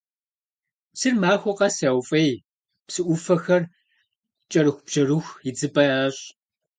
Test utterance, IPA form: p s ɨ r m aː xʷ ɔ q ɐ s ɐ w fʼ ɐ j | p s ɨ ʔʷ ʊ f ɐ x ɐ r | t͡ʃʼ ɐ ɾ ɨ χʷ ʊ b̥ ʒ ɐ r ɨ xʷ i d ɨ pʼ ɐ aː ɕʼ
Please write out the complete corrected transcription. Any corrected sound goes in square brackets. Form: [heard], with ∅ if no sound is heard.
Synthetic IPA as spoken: p s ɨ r m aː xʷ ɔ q ɐ s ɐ w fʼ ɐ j | p s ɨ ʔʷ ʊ f ɐ x ɐ r | t͡ʃʼ ɐ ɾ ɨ [xʷ] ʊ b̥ ʒ ɐ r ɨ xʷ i [d͡z] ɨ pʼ ɐ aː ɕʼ